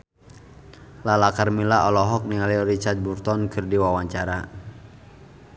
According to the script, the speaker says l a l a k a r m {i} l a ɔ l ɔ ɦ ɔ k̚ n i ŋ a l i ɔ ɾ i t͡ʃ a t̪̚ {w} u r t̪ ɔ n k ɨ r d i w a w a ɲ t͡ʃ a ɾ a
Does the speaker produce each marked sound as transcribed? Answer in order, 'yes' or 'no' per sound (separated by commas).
yes, no